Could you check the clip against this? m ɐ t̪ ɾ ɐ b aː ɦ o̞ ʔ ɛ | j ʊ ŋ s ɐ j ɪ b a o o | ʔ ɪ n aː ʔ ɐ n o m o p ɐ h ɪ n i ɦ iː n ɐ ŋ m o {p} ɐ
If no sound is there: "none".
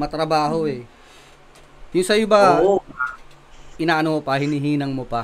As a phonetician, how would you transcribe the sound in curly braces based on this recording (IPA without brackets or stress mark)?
p